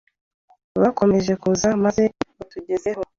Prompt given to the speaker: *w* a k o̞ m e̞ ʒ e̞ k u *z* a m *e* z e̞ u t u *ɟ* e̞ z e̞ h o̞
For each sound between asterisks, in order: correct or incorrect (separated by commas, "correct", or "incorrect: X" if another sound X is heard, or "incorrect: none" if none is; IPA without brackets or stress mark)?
incorrect: β, correct, incorrect: a, correct